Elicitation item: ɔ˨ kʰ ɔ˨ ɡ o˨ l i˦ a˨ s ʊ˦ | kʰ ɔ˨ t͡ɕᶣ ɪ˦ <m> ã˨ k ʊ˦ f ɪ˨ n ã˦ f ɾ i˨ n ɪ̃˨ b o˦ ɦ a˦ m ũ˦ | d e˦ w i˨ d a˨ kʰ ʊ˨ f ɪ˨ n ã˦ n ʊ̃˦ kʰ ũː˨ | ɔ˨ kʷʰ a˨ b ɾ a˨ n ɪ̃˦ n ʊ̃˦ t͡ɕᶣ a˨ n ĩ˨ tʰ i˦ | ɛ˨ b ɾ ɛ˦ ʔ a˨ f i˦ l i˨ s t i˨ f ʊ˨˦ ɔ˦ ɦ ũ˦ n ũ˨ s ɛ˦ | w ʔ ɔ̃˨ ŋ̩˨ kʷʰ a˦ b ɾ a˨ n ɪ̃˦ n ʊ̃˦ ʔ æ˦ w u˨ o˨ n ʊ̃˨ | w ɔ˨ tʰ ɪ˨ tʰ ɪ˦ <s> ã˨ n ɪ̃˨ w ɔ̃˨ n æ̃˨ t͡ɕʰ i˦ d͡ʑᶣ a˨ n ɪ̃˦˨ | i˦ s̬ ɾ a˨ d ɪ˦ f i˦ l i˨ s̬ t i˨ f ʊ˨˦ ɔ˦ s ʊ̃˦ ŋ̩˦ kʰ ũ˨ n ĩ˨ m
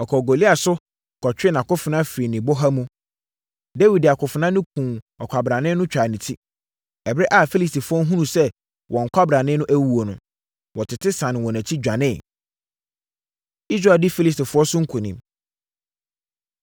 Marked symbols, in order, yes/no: no, yes

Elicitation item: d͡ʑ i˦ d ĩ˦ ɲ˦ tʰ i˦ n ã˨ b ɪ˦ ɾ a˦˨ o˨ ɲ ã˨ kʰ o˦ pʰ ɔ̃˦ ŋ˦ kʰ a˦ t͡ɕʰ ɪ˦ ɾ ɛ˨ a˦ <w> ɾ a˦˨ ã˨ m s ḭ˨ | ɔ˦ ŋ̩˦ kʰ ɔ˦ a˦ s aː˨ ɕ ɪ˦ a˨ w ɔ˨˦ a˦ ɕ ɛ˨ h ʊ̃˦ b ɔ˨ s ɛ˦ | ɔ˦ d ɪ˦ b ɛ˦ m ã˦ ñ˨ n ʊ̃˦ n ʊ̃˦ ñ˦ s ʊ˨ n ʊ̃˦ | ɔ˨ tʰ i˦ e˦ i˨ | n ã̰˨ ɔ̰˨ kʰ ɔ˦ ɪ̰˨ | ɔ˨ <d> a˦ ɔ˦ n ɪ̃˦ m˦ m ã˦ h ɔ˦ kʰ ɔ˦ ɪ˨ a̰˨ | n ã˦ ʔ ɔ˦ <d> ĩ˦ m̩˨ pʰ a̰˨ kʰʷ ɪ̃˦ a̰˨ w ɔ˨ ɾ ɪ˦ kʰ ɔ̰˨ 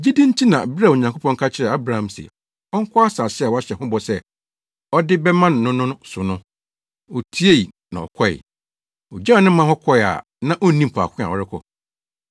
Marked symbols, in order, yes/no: no, no, no

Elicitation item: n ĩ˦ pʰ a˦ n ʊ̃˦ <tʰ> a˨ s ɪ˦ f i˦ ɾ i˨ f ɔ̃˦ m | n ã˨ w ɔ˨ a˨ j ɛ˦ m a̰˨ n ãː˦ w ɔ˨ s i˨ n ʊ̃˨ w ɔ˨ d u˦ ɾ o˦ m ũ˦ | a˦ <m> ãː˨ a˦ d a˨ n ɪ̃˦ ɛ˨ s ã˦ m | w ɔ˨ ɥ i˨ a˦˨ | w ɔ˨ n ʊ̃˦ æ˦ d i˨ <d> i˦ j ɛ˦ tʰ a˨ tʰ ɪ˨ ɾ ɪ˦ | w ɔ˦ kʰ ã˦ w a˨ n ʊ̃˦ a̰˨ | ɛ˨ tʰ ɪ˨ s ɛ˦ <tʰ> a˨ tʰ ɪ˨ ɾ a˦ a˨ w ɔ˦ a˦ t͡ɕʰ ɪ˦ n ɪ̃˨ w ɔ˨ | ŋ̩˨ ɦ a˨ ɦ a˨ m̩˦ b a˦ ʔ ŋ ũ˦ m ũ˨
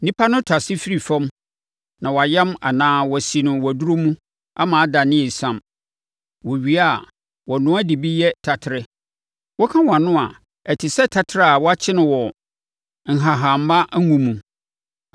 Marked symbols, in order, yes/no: yes, yes, no, yes

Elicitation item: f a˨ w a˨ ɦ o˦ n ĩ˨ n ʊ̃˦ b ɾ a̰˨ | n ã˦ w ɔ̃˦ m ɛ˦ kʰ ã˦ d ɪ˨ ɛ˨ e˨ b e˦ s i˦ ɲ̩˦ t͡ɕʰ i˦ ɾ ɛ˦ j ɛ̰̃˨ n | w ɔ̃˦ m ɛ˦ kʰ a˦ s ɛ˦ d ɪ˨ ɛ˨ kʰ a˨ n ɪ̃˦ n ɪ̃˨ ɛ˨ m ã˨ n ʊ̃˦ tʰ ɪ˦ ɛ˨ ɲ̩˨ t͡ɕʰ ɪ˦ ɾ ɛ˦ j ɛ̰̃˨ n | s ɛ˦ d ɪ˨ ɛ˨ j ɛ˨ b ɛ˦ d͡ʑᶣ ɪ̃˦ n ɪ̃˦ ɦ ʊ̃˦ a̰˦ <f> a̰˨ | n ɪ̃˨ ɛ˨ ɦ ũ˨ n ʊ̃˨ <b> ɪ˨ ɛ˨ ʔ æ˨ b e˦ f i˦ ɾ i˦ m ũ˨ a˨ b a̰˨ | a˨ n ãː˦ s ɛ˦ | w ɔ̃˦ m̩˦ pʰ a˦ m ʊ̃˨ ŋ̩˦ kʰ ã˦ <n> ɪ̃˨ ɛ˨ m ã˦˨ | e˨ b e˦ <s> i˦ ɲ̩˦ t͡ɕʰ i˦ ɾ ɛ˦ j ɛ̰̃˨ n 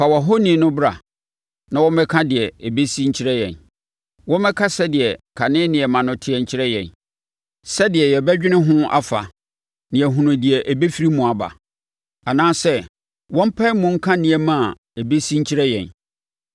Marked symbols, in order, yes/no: yes, no, yes, yes

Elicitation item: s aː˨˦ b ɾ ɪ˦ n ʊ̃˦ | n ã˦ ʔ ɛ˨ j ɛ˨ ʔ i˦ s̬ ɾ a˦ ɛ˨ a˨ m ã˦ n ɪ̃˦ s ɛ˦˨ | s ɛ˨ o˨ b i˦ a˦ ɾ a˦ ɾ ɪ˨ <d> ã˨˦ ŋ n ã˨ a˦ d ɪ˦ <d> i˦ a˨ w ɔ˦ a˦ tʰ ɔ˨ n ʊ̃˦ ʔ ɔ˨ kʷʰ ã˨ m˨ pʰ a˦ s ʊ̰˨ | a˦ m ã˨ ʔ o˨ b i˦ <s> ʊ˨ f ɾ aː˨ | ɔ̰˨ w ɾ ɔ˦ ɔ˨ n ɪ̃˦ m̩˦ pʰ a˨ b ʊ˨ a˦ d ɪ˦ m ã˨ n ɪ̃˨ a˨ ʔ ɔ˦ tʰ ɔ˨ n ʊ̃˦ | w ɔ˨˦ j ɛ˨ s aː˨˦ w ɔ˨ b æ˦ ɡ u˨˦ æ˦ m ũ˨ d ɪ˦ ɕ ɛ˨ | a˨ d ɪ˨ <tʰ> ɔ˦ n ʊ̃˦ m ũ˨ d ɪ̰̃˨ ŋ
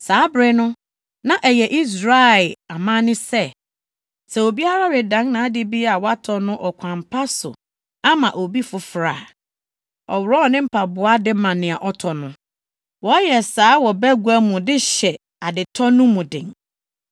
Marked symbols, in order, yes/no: yes, no, no, yes

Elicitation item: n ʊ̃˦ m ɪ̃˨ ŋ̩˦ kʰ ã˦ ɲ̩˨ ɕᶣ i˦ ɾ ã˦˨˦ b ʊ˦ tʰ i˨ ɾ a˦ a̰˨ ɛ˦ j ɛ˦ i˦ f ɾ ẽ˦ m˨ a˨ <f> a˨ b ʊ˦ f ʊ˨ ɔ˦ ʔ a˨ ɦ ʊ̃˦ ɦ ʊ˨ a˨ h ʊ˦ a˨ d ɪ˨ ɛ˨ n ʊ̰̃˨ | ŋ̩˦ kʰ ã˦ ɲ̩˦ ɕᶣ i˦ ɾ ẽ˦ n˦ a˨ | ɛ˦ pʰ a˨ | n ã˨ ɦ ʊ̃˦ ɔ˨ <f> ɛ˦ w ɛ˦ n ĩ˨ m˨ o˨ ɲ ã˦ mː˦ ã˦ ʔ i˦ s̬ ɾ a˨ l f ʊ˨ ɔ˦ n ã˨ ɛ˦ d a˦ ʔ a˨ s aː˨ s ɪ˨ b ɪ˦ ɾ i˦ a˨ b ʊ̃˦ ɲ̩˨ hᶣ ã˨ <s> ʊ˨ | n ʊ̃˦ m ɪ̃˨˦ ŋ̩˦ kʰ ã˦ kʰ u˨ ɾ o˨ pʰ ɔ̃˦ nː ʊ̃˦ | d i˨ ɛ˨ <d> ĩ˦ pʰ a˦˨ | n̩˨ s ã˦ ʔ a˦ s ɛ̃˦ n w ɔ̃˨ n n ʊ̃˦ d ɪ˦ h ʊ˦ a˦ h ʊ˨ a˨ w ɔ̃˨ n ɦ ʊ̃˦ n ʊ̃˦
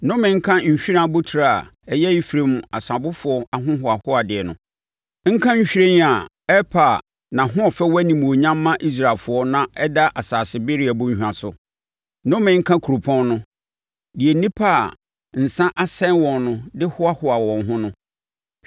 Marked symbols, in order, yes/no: no, yes, yes, no

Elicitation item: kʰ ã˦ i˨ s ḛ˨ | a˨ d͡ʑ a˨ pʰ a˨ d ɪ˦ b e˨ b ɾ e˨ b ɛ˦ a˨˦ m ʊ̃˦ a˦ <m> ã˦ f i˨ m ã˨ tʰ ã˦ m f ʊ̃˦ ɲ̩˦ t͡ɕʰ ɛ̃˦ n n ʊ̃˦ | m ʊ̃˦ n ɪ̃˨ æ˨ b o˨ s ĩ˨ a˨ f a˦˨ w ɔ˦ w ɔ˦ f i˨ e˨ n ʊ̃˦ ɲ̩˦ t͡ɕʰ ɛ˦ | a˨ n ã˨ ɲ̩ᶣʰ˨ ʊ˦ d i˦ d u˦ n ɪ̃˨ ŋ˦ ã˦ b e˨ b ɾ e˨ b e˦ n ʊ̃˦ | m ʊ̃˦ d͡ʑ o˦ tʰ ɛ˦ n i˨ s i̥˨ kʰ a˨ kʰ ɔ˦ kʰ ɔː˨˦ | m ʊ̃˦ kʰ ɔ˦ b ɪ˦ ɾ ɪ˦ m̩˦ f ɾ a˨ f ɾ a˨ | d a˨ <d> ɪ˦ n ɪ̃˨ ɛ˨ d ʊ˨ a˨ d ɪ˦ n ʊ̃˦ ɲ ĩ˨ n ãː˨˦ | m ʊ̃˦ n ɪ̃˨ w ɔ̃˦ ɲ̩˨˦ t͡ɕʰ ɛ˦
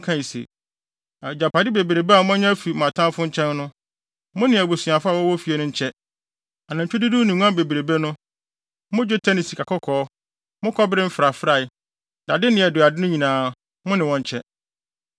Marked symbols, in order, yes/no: no, yes

